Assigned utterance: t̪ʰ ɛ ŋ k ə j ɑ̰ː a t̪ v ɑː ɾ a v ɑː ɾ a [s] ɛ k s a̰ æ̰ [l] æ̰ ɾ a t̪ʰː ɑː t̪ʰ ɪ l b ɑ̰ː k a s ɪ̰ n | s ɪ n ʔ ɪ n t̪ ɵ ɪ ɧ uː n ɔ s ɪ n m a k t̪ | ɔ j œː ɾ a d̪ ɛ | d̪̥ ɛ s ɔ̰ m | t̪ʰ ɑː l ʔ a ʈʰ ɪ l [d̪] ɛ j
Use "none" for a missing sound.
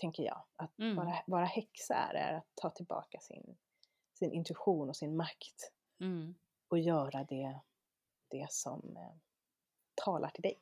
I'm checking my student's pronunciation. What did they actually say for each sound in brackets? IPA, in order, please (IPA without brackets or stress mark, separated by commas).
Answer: h, ɾ, d̪